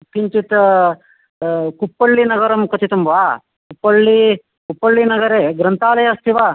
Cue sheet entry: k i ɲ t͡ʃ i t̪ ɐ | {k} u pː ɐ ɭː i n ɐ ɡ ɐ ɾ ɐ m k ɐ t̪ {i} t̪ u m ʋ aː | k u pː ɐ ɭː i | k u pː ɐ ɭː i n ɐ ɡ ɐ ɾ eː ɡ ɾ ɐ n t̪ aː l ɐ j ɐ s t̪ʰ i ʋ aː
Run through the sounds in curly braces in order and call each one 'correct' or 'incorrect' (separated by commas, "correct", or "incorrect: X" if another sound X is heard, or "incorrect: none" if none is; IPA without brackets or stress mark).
correct, correct